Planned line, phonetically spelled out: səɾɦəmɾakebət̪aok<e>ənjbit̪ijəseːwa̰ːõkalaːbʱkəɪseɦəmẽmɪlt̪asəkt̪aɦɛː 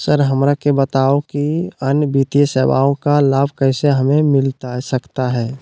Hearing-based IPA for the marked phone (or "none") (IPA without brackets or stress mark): i